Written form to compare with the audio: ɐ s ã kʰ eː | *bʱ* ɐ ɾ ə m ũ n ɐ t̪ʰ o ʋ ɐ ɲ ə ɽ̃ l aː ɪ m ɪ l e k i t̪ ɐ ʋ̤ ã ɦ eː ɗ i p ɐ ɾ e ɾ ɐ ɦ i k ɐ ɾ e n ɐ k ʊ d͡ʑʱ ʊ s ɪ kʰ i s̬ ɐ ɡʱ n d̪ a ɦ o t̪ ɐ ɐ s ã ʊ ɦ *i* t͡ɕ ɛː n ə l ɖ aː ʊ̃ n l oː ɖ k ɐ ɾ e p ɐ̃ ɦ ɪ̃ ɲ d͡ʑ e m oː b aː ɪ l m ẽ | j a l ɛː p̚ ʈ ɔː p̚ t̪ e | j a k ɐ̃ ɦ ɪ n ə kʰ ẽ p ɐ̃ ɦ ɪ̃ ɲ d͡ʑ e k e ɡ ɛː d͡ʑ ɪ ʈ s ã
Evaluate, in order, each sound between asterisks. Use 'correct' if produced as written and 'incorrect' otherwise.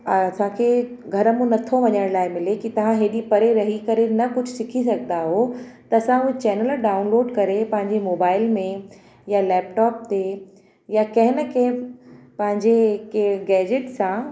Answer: incorrect, incorrect

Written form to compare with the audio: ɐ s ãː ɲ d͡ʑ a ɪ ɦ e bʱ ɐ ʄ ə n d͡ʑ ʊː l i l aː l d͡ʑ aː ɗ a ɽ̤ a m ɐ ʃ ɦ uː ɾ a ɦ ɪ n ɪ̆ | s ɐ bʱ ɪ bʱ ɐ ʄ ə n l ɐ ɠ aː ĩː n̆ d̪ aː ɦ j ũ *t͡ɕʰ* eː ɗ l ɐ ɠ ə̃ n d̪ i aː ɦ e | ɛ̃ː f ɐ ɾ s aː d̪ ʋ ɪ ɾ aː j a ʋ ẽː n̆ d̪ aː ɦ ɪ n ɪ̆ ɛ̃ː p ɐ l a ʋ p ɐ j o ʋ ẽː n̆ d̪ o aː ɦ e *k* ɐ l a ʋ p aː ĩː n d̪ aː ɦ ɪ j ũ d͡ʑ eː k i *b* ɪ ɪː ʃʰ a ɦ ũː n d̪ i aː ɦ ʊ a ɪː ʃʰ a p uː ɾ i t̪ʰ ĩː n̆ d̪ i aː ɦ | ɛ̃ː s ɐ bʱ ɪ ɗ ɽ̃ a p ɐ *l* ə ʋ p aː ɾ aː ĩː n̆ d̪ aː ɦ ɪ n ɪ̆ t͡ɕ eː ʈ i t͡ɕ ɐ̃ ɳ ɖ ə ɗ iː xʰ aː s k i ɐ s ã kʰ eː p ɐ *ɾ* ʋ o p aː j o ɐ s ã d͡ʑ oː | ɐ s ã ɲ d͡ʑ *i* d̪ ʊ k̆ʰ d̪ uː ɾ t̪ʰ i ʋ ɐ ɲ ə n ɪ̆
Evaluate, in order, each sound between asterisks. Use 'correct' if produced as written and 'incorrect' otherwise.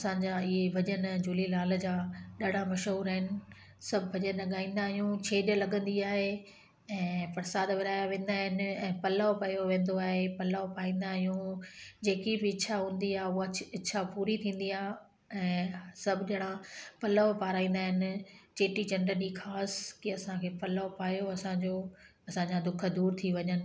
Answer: correct, incorrect, correct, correct, incorrect, incorrect

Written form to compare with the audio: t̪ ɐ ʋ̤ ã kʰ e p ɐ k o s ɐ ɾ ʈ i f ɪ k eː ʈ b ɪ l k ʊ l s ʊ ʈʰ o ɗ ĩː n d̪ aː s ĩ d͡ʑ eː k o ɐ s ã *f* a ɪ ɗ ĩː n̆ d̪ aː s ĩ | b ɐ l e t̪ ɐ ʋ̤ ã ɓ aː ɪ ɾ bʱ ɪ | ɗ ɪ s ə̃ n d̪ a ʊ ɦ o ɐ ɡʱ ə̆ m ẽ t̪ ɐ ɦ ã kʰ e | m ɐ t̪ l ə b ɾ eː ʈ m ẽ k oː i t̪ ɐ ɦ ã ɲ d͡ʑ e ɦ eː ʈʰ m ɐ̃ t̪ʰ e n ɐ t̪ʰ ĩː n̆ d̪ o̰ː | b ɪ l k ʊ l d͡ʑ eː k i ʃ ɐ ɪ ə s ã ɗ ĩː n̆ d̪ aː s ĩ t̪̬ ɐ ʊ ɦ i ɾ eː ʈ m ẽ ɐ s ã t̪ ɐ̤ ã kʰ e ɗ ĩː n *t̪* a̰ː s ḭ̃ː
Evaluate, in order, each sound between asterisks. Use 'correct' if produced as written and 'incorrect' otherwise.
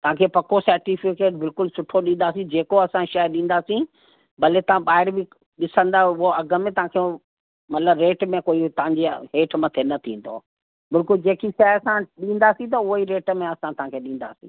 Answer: incorrect, incorrect

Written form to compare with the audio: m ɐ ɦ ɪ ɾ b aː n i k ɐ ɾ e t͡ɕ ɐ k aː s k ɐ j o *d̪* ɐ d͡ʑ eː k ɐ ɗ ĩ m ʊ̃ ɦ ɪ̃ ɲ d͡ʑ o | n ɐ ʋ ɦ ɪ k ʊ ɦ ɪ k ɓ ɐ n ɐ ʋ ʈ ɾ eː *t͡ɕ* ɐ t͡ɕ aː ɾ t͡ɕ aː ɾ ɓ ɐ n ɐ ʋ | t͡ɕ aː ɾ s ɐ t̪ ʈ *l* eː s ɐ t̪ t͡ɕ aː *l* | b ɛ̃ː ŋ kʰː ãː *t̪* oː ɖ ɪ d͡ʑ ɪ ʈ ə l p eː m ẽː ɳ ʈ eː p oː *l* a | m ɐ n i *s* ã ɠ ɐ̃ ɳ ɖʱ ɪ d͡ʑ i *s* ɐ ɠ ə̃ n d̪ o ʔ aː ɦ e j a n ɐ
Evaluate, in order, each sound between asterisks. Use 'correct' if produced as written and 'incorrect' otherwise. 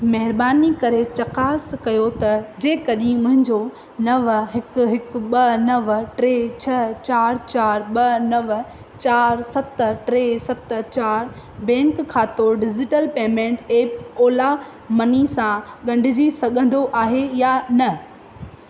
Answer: incorrect, incorrect, incorrect, incorrect, correct, correct, correct, correct

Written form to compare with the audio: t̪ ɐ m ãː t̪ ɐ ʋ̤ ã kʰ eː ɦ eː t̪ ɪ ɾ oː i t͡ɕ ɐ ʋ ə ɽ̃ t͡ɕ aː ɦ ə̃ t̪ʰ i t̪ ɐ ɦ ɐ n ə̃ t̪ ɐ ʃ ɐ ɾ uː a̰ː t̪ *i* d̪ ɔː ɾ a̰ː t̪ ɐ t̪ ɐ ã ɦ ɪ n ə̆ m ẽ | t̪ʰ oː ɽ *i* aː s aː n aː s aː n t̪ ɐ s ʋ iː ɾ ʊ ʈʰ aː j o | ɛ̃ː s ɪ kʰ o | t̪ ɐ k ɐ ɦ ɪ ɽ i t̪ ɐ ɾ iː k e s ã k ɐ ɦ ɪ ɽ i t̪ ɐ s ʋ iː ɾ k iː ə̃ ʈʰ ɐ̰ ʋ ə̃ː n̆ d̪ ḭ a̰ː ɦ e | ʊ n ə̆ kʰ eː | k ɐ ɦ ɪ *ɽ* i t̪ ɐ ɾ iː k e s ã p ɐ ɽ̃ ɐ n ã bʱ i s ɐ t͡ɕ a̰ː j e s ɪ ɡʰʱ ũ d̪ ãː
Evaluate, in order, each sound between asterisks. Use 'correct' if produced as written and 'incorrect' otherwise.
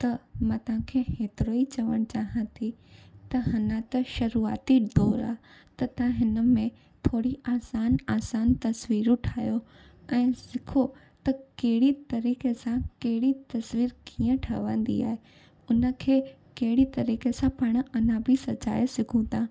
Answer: correct, correct, correct

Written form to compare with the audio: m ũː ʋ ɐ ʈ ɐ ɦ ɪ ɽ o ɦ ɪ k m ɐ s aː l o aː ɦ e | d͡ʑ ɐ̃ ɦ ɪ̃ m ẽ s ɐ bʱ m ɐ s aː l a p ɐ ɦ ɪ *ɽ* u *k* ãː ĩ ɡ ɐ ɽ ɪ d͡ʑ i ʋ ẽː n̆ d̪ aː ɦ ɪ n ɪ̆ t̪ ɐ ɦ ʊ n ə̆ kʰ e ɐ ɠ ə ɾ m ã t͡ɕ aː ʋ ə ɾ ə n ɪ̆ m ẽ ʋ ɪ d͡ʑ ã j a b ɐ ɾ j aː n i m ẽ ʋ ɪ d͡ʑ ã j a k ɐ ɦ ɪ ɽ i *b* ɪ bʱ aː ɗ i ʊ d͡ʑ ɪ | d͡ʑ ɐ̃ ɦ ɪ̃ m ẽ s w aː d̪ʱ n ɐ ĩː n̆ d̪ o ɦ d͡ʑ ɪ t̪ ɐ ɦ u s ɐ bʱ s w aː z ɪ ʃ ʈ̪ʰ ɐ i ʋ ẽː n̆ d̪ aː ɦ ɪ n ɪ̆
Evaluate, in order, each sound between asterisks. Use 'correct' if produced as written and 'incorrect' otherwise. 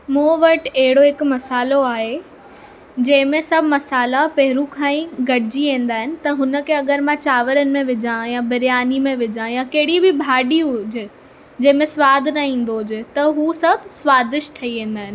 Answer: incorrect, incorrect, correct

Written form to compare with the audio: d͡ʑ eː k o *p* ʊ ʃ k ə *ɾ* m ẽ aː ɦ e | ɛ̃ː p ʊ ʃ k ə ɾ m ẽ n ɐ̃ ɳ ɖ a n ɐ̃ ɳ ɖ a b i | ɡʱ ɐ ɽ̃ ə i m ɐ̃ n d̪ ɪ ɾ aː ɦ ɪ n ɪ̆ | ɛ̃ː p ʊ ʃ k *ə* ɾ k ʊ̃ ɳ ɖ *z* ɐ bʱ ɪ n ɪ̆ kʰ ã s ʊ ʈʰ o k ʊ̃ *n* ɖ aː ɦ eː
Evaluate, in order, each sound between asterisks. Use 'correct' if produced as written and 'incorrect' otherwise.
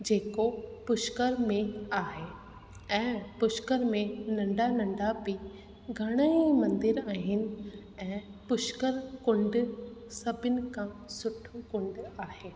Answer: correct, correct, correct, incorrect, incorrect

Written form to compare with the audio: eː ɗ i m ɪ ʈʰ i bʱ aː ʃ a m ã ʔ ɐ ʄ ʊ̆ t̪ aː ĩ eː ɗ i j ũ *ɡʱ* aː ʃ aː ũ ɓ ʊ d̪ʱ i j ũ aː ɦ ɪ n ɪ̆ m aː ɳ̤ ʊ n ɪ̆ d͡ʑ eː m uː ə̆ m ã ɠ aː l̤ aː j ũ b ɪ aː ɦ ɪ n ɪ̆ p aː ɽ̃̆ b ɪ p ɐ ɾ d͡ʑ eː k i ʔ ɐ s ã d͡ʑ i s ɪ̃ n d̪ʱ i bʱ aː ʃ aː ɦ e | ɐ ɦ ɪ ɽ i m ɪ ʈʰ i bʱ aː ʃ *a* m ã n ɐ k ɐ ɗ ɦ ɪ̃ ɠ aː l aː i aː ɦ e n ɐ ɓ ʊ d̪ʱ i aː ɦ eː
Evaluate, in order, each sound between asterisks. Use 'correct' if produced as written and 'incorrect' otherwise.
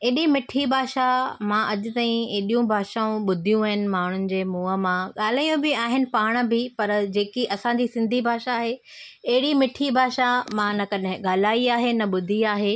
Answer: incorrect, correct

